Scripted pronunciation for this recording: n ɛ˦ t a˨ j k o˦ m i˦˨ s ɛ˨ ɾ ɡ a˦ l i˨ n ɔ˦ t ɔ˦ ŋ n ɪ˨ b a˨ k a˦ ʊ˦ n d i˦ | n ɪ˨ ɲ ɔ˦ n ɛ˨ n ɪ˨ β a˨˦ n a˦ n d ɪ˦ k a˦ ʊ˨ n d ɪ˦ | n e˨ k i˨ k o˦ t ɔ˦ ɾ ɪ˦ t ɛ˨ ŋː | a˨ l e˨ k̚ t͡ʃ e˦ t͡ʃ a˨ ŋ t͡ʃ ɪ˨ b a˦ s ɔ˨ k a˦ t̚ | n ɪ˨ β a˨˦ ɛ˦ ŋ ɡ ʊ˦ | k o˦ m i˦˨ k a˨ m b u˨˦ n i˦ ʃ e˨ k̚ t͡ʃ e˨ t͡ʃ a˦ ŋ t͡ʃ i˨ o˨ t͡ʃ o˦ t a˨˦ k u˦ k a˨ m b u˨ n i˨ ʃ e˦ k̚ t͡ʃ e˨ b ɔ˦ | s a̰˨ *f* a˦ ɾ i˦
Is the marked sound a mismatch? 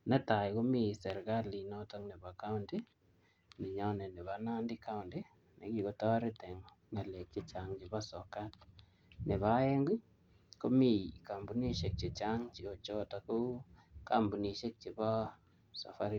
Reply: no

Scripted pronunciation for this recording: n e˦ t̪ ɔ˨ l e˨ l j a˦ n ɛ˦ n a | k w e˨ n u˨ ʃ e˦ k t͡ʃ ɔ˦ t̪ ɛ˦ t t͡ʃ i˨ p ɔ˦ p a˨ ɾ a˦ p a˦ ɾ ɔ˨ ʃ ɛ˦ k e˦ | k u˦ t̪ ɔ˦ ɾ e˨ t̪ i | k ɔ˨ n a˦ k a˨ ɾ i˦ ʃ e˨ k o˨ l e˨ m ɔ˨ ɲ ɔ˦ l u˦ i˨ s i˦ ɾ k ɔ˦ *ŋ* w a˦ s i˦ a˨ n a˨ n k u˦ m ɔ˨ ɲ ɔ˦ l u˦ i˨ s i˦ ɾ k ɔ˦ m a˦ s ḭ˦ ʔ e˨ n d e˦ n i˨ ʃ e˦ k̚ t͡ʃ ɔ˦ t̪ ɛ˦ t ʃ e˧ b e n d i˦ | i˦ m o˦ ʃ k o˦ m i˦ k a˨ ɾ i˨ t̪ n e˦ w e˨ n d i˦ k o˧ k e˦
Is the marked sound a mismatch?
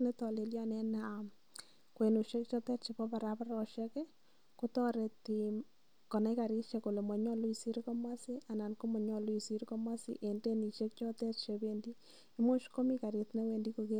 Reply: yes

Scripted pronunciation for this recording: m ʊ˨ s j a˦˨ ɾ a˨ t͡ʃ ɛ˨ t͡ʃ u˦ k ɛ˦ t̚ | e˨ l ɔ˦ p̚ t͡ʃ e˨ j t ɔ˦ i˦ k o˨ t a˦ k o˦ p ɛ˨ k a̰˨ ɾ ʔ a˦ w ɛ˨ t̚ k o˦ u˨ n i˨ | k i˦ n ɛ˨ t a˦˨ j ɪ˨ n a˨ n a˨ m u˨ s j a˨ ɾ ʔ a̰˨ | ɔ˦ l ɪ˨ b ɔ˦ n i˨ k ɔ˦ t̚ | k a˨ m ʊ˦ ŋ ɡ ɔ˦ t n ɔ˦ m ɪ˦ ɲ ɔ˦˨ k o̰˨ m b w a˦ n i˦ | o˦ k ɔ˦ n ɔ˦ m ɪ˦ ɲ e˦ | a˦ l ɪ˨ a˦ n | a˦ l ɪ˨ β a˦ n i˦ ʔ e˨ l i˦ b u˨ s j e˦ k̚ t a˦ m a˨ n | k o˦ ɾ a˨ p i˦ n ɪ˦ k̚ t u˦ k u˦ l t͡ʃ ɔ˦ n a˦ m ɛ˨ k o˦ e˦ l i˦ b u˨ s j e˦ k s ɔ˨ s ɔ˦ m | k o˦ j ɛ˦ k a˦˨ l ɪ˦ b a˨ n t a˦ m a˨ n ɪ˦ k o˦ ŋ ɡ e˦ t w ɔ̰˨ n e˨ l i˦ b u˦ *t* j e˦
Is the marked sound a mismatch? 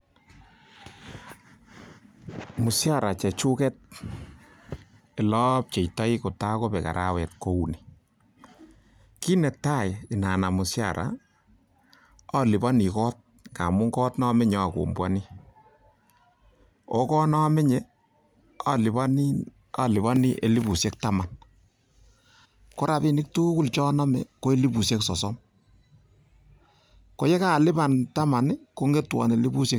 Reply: yes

